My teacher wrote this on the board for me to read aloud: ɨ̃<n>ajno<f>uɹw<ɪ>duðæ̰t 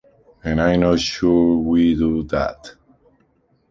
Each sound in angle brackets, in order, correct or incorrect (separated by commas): correct, incorrect, incorrect